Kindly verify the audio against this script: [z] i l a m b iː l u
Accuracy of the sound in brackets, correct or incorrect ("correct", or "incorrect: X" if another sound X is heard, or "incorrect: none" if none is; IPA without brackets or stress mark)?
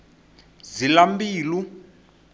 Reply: correct